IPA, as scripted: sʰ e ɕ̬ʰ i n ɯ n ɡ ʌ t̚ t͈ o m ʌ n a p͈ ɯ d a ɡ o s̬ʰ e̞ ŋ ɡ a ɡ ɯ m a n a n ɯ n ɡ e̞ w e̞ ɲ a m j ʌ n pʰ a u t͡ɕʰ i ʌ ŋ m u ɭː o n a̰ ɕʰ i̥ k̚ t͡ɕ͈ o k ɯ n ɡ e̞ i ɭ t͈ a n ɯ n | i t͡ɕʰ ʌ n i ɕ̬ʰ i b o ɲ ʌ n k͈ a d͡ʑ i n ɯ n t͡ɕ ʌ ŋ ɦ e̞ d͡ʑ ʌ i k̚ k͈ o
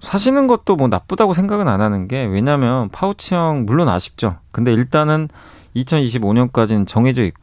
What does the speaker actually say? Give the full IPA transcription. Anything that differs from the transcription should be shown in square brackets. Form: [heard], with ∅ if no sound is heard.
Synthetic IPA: sʰ [a] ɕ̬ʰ i n ɯ n ɡ ʌ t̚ t͈ o m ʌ n a p͈ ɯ d a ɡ o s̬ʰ e̞ ŋ ɡ a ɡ ɯ [n] a n a n ɯ n ɡ e̞ w e̞ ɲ a m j ʌ n pʰ a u t͡ɕʰ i ʌ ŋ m u ɭː o n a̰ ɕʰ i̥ [p̚] t͡ɕ͈ o k ɯ n [d] e̞ i ɭ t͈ a n ɯ n | i t͡ɕʰ ʌ n i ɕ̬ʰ i b o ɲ ʌ n k͈ a d͡ʑ i n ɯ n t͡ɕ ʌ ŋ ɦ e̞ d͡ʑ ʌ i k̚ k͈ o